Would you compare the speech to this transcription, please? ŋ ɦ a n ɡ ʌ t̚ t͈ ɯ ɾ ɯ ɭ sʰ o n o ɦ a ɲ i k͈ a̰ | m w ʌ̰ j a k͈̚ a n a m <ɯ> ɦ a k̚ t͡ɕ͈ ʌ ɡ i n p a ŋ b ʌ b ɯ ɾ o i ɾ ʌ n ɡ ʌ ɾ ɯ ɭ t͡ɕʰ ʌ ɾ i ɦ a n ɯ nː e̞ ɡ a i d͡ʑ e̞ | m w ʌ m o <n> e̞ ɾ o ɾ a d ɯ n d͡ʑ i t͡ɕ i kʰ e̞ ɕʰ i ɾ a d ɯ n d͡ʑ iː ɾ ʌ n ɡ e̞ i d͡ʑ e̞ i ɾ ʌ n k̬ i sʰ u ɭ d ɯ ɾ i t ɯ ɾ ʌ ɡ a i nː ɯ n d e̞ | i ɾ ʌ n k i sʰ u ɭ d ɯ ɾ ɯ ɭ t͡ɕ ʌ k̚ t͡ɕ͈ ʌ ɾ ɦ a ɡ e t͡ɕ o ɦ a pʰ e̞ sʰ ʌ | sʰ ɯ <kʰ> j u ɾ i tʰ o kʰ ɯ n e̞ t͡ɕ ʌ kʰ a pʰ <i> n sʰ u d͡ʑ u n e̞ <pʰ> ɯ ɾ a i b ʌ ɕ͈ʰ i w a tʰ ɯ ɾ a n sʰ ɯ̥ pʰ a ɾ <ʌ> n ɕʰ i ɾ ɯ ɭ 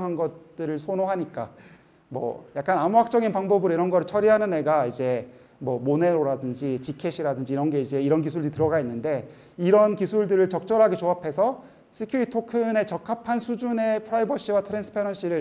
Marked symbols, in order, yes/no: no, yes, yes, no, yes, yes

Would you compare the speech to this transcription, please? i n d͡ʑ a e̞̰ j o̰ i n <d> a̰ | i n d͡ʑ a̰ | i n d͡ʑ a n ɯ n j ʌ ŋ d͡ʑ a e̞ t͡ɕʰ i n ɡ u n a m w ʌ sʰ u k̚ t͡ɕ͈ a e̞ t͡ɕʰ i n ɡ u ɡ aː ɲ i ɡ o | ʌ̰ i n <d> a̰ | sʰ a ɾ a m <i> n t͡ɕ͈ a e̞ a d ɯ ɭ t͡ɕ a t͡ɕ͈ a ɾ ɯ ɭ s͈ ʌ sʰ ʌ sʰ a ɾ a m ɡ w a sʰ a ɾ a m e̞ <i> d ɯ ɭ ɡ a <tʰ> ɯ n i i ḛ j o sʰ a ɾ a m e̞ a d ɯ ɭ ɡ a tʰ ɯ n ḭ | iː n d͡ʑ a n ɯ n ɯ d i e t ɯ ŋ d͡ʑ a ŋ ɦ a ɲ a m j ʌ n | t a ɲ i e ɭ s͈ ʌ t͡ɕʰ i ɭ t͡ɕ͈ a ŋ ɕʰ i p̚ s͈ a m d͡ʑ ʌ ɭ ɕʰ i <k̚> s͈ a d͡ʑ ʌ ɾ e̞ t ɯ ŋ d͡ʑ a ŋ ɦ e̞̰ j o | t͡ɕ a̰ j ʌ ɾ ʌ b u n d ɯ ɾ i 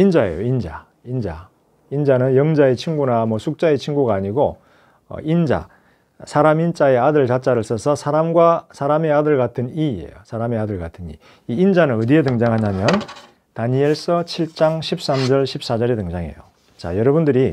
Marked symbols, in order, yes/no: no, no, yes, no, yes, no

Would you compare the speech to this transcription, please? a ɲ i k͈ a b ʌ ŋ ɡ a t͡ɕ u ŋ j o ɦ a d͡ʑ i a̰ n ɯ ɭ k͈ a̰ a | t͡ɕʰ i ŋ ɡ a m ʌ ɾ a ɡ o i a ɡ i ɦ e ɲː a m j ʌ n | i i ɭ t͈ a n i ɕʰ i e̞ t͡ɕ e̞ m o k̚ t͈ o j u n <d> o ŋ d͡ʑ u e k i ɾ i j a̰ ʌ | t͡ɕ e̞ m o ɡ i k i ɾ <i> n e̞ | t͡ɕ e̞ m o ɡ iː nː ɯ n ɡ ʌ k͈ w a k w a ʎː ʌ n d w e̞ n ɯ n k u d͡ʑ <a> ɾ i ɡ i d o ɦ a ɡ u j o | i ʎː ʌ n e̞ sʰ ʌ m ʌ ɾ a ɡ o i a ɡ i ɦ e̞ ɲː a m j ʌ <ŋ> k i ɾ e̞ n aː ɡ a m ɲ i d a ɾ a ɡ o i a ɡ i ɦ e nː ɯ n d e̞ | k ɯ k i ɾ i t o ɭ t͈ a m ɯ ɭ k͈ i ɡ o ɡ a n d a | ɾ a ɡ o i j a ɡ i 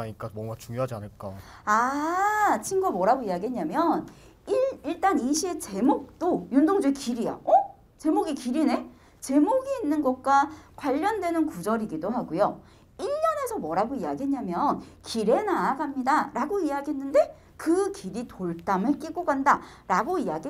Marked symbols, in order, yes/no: yes, yes, no, no

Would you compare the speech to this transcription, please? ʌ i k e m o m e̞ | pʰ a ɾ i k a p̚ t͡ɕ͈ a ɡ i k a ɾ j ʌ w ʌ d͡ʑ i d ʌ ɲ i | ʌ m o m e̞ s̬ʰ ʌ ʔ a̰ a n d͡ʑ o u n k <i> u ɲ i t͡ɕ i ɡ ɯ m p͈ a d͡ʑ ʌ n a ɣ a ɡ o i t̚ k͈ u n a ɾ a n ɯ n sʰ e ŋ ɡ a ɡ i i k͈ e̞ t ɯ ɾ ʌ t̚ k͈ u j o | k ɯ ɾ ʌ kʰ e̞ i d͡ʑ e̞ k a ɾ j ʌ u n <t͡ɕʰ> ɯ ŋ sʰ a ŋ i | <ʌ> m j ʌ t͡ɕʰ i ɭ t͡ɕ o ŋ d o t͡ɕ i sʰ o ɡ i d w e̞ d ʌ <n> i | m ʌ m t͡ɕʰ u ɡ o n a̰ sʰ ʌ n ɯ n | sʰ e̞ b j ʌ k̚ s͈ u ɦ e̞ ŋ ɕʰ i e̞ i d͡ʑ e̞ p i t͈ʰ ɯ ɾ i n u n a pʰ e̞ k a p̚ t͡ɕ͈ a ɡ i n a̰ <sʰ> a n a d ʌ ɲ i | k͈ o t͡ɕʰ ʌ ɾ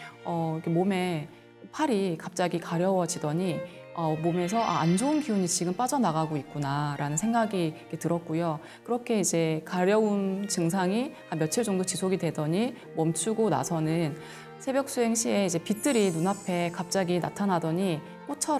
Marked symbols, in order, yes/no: yes, no, no, no, no

